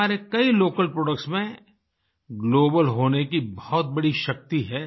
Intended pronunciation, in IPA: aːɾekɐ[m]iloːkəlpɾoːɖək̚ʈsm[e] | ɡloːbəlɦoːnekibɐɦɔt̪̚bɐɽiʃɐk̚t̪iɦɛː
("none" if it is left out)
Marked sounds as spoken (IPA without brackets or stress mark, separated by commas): none, ẽ